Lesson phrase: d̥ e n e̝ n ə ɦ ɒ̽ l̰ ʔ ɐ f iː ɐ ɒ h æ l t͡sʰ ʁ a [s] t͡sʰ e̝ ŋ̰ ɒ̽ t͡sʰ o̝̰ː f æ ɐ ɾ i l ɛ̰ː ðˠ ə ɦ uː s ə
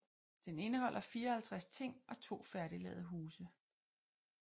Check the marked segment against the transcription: correct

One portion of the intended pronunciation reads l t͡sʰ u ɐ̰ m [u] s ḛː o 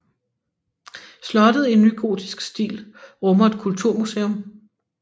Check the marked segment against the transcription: correct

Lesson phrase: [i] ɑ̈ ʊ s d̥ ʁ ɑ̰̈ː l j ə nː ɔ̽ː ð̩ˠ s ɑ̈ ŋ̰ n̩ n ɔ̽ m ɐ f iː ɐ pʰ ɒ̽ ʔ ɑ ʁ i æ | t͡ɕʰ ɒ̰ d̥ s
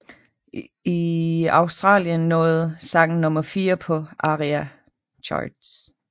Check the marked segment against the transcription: correct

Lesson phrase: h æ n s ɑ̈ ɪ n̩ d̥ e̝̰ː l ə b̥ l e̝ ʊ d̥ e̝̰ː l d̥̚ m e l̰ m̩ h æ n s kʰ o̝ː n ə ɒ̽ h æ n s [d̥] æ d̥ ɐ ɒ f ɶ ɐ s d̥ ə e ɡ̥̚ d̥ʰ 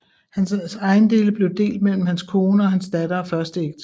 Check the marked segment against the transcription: correct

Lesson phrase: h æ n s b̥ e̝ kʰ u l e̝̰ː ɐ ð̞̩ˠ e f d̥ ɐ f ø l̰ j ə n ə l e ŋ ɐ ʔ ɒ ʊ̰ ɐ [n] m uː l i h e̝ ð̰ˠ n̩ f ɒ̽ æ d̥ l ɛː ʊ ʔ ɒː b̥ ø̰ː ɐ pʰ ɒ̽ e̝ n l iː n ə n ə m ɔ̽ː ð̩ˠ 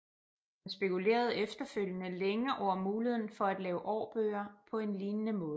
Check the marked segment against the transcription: incorrect: none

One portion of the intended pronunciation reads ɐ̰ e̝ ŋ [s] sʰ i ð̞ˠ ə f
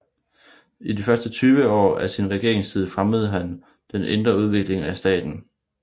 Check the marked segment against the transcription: correct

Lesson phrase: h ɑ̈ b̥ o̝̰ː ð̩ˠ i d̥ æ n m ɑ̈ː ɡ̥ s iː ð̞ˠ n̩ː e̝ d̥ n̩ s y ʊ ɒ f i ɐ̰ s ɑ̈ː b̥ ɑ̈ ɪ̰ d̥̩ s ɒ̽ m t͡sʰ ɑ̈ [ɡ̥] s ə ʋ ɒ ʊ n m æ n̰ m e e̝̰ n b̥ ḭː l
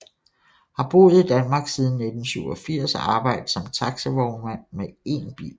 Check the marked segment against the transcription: correct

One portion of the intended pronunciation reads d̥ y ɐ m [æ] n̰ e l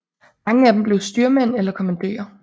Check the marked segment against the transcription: incorrect: e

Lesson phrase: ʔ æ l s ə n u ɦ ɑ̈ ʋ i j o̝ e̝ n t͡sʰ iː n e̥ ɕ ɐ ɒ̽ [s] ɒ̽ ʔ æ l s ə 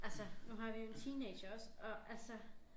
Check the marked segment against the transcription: correct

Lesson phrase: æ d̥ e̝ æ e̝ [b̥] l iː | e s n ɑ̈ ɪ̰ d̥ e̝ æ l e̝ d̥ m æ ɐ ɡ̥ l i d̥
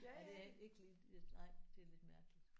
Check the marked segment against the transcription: incorrect: ɡ̥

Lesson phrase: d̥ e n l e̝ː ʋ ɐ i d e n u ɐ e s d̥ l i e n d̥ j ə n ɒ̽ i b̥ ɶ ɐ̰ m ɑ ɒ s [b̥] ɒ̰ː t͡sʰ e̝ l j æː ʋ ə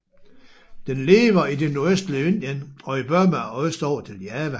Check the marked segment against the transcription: incorrect: d̥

